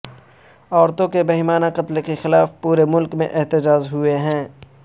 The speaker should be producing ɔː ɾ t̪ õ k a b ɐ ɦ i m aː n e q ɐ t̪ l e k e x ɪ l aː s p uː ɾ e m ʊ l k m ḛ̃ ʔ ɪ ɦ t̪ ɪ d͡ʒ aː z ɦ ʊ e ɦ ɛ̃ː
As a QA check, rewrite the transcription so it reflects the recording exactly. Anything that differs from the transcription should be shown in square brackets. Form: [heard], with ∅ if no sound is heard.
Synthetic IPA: ɔː ɾ t̪ õ k [e] b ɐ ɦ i m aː n [a] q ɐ t̪ l e k e x ɪ l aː [f] p uː ɾ e m ʊ l k m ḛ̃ ʔ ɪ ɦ t̪ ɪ d͡ʒ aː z ɦ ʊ e ɦ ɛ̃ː